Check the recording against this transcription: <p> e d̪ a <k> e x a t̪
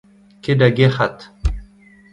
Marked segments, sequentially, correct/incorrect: incorrect, incorrect

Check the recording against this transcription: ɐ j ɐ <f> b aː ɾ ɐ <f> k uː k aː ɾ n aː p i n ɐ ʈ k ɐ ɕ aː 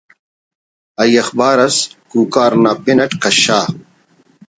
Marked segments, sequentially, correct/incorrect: incorrect, incorrect

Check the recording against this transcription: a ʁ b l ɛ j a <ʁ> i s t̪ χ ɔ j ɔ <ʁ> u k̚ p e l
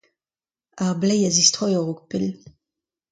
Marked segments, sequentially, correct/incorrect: incorrect, correct

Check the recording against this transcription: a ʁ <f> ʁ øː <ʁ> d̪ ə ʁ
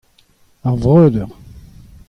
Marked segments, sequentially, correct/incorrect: incorrect, incorrect

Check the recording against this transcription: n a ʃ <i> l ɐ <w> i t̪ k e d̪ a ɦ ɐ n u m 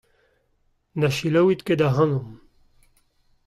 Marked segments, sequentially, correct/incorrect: correct, correct

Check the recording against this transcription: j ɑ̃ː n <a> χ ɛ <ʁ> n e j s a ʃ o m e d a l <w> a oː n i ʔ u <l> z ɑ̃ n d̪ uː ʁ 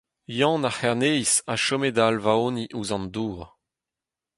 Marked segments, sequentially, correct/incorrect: correct, correct, incorrect, incorrect

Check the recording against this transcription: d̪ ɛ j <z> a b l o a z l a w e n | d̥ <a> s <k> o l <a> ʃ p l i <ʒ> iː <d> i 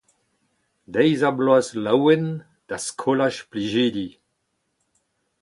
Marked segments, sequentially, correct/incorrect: correct, correct, incorrect, correct, correct, correct

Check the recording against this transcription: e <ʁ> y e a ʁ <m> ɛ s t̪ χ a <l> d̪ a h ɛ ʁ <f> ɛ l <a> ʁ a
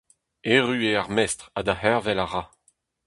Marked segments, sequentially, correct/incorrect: correct, correct, incorrect, incorrect, correct

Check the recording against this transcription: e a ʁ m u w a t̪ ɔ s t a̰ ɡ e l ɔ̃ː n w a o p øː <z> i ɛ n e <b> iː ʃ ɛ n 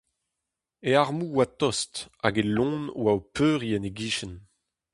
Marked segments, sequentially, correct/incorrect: incorrect, incorrect

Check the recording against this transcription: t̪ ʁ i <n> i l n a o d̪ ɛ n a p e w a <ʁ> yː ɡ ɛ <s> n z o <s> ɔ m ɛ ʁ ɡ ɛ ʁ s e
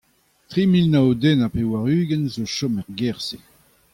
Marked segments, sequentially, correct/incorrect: incorrect, correct, incorrect, incorrect

